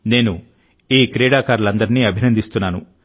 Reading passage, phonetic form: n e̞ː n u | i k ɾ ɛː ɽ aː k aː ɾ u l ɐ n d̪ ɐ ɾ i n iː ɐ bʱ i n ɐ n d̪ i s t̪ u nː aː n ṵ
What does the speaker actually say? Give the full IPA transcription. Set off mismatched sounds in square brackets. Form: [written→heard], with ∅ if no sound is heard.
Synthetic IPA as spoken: n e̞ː n u | [i→iː] k ɾ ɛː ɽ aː k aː ɾ u l ɐ n d̪ ɐ ɾ i n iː ɐ bʱ i n ɐ n d̪ i s t̪ u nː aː n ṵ